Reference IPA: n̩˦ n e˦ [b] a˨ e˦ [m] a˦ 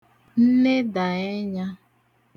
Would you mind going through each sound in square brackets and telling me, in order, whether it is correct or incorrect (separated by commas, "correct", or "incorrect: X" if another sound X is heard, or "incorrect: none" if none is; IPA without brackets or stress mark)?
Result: incorrect: d, incorrect: ɲ